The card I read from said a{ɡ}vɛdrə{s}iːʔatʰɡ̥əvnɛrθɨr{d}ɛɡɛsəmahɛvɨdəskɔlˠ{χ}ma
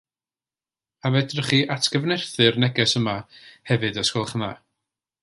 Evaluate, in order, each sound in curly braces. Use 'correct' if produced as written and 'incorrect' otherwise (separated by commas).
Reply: incorrect, incorrect, incorrect, correct